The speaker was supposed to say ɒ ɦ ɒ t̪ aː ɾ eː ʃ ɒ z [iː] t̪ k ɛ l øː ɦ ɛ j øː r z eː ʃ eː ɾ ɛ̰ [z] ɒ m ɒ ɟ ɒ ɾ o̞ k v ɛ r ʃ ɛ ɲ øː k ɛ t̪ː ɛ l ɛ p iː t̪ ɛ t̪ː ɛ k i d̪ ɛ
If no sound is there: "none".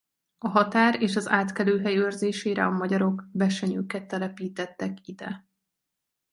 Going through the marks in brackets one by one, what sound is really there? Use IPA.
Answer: aː, none

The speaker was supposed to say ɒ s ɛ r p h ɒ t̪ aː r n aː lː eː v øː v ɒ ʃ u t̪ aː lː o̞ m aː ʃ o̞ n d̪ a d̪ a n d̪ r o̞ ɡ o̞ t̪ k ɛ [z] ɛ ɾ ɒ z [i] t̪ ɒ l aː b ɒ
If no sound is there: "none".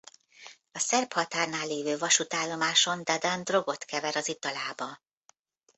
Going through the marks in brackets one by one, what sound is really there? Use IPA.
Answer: v, i

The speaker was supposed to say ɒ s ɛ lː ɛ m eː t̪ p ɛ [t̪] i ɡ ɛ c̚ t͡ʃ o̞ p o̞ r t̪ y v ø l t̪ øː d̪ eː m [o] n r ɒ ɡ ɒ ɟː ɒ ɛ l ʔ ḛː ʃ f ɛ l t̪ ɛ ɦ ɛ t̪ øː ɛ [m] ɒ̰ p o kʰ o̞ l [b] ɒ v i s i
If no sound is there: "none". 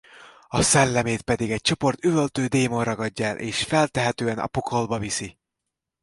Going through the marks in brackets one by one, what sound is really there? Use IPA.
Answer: d̪, o, n, b

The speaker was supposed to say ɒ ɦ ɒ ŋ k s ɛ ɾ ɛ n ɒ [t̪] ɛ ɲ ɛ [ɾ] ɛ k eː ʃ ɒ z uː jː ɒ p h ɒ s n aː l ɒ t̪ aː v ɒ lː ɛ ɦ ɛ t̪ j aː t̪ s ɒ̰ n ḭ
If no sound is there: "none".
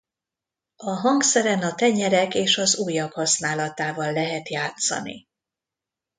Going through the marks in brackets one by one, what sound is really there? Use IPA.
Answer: t̪, ɾ

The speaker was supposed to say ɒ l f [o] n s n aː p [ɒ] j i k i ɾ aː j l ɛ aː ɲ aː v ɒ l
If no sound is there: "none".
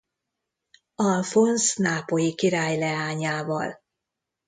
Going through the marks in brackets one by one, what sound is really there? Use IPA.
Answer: o, o

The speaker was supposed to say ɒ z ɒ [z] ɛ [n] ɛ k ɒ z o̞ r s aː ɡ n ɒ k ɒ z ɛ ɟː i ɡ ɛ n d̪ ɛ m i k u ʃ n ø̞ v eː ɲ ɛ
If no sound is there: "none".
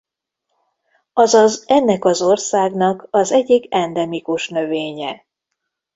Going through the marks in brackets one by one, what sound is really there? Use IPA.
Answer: z, nː

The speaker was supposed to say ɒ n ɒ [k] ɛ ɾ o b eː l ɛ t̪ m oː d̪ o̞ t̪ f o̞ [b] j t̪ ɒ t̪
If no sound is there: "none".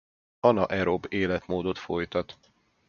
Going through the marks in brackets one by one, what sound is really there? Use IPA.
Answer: ʔ, none

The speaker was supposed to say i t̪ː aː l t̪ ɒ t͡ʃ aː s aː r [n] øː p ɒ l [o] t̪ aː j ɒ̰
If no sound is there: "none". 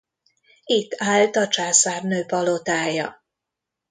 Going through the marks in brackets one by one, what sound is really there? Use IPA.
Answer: n, o

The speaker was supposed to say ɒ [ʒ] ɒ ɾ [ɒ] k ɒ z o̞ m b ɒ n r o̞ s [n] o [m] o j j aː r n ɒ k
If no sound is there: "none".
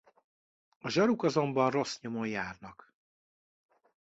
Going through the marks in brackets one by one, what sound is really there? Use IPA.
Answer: ʒ, u, ɲ, m

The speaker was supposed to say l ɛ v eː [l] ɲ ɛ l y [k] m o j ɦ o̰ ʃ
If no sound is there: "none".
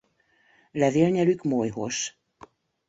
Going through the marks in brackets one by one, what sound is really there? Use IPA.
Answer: l, k

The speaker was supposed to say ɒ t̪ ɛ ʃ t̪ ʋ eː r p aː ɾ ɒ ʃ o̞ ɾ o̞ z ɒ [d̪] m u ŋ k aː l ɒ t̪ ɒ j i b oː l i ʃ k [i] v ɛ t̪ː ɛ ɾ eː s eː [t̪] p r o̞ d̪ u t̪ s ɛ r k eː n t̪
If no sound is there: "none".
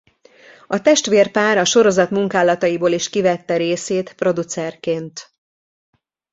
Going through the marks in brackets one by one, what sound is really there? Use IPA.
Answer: t̪, i, t̪

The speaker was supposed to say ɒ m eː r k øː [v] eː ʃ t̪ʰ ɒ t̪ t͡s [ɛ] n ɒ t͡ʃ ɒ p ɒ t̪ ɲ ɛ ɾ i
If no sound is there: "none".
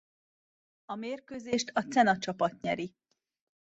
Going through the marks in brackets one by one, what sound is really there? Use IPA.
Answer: z, ɛ

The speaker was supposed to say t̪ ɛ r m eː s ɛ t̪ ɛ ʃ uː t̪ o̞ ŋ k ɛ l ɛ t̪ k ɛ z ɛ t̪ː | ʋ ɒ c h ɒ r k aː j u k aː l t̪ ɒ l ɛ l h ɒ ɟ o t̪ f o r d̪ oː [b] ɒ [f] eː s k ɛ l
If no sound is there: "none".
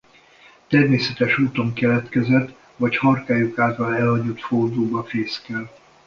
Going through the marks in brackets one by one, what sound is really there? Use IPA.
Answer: b, f

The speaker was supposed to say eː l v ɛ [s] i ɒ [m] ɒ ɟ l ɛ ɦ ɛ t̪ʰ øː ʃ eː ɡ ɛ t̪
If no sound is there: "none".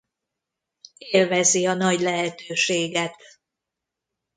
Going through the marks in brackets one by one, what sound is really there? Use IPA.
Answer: z, n

